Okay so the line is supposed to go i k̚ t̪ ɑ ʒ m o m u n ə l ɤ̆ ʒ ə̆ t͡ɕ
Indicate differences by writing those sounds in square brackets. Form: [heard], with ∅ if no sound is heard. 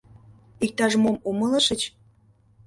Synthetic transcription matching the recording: i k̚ t̪ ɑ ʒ m o m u [m] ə l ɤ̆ [ʃ] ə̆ t͡ɕ

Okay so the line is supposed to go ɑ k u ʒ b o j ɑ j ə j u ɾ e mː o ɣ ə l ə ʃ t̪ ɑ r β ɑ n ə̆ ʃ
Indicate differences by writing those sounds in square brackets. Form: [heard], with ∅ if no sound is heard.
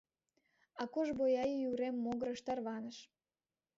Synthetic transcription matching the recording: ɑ k [o] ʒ b o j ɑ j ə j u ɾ e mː o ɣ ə [ɾ] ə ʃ t̪ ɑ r β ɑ n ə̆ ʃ

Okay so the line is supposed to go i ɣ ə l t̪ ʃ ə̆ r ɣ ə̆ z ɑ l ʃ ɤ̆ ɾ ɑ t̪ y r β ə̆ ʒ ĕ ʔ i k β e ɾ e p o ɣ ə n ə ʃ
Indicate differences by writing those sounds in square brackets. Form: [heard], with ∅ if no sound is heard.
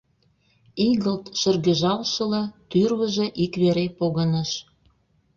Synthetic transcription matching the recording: i ɣ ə l t̪ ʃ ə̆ r ɣ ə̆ [ʒ] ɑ l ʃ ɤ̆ [l] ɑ t̪ y r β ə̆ ʒ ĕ ʔ i k β e ɾ e p o ɣ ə n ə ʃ

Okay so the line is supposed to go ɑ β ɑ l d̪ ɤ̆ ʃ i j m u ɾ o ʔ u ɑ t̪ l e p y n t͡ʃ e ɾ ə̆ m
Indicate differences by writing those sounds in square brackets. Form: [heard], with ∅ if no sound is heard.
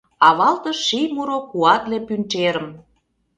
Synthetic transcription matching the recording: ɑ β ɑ l [t̪] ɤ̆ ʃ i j m u ɾ o [k] u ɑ t̪ l e p y n t͡ʃ e ɾ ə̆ m

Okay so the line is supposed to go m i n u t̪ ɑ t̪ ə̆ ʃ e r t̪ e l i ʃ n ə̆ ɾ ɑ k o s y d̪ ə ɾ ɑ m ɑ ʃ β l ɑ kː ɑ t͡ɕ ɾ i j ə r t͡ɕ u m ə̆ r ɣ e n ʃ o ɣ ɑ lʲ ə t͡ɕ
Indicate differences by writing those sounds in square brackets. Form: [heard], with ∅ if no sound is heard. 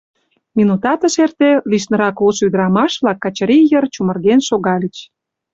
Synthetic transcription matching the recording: m i n u t̪ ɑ t̪ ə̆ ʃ e r t̪ e l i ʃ n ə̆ ɾ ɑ k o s y d̪ ə ɾ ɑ m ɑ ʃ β l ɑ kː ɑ t͡ɕ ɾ i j ə r t͡ɕ u m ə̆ r ɣ e n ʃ o ɣ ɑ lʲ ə t͡ɕ

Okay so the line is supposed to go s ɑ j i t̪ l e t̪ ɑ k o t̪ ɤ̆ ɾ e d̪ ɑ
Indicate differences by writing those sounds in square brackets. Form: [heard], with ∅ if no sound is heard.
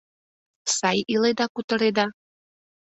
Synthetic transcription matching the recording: s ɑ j i [∅] l e [d̪] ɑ k [u] t̪ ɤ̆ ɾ e d̪ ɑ

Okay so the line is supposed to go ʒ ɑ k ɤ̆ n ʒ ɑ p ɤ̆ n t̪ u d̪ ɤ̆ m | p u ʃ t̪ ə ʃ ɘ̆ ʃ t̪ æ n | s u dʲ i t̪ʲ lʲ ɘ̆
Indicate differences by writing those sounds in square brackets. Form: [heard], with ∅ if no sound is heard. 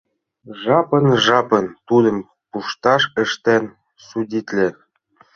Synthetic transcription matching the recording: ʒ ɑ [p] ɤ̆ n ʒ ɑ p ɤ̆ n t̪ u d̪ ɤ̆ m | p u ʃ t̪ [ɑ] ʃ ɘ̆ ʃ t̪ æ n | s u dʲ i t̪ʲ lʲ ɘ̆

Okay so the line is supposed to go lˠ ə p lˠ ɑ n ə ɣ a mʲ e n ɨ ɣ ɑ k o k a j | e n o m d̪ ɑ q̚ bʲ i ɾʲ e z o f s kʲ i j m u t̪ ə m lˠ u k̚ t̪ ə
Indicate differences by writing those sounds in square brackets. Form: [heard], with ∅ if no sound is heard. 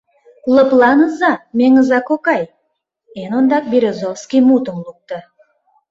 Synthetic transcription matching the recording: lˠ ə p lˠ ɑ n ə [z] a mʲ e [ŋ] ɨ [z] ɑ k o k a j | e n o [n] d̪ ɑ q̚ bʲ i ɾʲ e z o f s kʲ i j m u t̪ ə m lˠ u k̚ t̪ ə

